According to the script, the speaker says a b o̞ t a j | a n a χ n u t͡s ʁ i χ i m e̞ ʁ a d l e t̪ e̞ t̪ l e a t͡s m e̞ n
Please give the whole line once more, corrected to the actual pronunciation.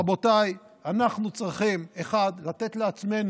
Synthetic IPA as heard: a b o̞ t a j | a n a χ n u t͡s ʁ i χ i m e̞ χ a d l a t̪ e̞ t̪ l e a t͡s m e̞ n